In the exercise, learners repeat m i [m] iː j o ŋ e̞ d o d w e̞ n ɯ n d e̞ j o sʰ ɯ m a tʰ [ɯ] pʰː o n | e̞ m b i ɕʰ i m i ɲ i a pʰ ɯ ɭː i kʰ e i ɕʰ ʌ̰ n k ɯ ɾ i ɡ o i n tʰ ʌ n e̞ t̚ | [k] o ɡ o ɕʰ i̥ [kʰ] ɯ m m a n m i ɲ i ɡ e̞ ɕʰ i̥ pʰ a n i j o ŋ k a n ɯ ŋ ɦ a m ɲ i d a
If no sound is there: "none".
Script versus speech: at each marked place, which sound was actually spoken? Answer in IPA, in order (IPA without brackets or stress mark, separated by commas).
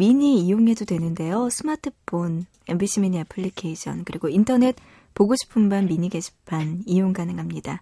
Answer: ɲ, ɯ, p, pʰ